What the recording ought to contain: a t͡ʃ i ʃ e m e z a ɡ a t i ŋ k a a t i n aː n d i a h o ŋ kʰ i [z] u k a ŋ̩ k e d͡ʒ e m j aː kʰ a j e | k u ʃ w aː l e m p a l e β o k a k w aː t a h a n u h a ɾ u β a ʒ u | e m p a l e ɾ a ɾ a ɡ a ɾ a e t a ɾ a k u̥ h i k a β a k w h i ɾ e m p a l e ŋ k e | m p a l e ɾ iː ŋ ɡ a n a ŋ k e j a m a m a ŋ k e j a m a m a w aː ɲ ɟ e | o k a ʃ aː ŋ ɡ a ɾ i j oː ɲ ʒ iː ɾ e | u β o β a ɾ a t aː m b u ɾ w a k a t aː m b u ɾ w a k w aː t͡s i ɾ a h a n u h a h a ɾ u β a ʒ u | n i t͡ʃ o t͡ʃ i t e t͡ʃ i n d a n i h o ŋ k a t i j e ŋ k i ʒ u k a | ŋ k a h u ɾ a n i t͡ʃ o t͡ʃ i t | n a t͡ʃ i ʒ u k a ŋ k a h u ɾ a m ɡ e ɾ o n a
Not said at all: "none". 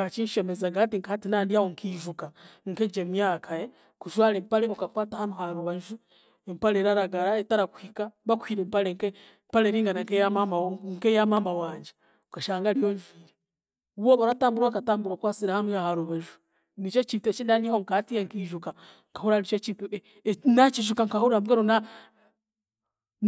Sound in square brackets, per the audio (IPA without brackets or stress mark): ʒ